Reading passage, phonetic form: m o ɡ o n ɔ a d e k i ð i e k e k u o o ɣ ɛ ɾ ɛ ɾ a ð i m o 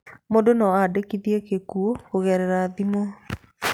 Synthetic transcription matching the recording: m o d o n ɔ a d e k i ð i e k e k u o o ɣ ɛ ɾ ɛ ɾ a ð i m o